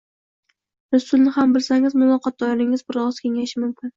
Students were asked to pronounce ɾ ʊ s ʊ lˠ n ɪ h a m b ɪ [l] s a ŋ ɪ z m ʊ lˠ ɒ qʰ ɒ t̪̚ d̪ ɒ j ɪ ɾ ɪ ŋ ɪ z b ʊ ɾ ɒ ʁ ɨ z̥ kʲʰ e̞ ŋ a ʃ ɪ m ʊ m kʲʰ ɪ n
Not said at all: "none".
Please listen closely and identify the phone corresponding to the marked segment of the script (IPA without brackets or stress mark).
l